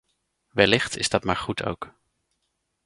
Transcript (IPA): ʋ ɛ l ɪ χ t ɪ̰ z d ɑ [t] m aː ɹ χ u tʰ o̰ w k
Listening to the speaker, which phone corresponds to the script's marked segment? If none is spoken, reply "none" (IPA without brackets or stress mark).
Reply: t